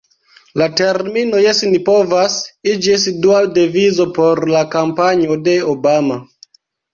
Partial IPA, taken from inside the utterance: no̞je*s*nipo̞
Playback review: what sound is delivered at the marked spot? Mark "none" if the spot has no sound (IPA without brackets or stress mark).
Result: s